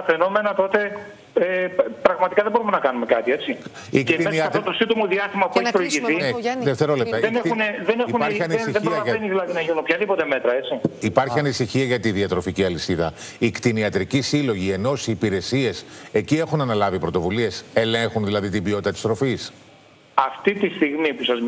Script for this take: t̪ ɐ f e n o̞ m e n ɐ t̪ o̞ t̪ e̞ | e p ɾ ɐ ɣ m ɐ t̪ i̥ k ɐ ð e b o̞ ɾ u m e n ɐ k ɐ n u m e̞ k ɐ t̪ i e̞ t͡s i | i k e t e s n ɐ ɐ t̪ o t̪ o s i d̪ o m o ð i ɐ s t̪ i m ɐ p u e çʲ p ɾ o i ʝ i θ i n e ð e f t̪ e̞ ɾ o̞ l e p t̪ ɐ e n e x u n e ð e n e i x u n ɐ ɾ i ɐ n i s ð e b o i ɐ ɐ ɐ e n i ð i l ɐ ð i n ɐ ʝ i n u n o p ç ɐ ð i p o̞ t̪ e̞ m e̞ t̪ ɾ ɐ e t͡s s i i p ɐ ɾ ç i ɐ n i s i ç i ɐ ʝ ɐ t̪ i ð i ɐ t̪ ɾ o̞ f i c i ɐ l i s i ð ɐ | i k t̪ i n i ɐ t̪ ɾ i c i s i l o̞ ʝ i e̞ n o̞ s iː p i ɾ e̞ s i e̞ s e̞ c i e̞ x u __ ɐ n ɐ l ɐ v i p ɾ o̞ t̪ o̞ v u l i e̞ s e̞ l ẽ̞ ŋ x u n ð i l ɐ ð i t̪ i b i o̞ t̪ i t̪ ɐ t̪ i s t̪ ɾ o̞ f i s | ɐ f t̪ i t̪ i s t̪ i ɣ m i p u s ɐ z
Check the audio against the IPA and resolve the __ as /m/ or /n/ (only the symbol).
n